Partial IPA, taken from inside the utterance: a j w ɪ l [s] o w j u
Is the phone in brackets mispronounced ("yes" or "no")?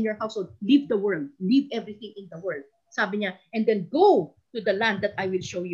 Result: yes